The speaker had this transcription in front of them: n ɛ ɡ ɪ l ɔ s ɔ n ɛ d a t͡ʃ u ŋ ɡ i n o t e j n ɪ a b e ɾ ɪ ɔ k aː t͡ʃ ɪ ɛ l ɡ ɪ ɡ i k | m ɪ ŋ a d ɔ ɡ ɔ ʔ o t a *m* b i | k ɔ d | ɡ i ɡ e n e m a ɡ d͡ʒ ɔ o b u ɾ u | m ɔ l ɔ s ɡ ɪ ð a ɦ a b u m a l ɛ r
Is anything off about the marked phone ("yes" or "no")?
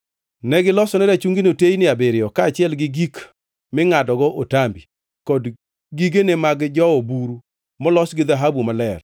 no